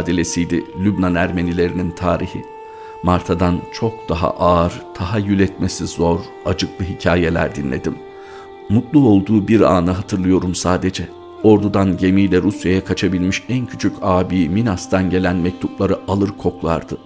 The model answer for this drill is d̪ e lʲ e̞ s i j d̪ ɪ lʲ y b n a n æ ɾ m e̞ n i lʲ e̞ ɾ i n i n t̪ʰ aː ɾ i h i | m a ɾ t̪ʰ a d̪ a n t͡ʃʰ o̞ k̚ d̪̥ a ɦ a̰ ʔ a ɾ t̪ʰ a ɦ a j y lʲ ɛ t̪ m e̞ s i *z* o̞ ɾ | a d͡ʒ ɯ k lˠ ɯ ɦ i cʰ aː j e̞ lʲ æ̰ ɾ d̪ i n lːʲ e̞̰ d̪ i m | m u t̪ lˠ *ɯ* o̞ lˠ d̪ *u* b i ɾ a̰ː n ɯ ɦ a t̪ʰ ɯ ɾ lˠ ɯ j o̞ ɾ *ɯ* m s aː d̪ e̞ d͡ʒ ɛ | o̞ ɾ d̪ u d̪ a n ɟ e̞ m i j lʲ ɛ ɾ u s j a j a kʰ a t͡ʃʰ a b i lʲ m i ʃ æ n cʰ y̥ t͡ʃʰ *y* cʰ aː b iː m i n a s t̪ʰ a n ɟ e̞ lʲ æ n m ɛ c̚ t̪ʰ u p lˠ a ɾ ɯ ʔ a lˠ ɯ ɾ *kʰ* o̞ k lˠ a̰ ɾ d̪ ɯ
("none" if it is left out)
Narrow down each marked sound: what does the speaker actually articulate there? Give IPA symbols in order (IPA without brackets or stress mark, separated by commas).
z, u, uː, u, y, kʰ